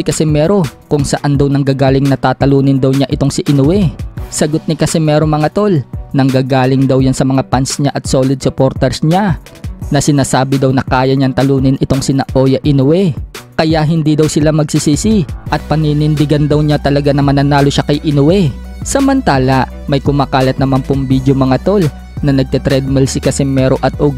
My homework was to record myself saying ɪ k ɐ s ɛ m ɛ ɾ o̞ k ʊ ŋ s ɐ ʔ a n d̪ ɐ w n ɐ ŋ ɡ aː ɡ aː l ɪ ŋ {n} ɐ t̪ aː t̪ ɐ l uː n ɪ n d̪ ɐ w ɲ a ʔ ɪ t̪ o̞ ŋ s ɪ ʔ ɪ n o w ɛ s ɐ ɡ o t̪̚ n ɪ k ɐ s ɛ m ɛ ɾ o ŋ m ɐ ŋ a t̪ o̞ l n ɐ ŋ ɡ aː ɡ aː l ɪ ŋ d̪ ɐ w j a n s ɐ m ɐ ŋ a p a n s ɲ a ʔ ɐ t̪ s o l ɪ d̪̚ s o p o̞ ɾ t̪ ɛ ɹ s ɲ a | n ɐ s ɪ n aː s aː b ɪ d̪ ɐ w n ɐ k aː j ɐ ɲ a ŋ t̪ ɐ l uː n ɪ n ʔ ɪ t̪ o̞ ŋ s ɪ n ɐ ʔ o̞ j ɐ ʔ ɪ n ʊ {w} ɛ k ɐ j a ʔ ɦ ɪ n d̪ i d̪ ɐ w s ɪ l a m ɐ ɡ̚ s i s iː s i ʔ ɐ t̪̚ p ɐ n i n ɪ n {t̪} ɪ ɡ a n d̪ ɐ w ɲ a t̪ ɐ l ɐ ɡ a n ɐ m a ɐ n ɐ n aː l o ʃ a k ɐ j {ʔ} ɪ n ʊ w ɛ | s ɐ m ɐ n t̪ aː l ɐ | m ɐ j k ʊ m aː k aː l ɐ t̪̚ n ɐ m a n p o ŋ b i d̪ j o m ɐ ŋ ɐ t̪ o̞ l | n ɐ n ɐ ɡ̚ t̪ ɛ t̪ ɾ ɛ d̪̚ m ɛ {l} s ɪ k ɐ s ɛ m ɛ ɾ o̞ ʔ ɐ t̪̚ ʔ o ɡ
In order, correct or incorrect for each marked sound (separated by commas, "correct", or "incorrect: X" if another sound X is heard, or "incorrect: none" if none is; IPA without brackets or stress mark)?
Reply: correct, correct, incorrect: d̪, correct, correct